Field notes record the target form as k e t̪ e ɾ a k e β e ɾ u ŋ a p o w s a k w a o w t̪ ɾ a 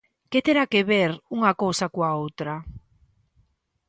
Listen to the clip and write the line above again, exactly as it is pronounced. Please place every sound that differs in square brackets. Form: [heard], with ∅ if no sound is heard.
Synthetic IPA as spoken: k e t̪ e ɾ a k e β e ɾ u ŋ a [k] o w s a k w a o w t̪ ɾ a